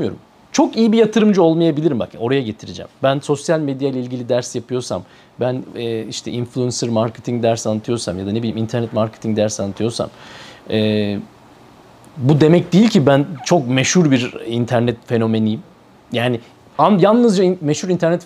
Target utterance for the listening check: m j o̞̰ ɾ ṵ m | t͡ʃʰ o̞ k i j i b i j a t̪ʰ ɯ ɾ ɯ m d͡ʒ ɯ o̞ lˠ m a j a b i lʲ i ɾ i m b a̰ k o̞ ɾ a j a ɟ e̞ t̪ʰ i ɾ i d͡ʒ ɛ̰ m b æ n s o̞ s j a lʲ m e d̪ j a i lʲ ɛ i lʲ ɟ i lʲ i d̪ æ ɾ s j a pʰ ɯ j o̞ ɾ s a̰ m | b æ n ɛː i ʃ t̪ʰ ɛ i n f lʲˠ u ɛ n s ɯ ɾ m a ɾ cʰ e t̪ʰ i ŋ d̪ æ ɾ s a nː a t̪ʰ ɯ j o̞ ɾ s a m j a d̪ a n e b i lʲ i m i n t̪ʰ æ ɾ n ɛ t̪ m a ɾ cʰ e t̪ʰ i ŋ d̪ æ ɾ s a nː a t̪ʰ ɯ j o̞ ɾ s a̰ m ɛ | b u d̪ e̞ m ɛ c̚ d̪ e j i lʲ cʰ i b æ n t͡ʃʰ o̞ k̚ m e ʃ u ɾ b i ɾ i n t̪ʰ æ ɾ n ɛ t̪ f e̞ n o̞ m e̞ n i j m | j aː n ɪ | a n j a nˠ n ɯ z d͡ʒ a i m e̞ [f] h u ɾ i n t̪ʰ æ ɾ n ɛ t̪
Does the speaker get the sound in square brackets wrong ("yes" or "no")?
yes